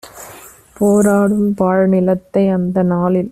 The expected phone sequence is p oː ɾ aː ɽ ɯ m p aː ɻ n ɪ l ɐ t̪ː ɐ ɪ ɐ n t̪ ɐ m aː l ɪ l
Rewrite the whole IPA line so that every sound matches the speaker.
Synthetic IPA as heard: p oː ɾ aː ɽ ɯ m p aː ɻ n ɪ l ɐ t̪ː ɐ ɪ ɐ n d̪ ɐ n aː l ɪ l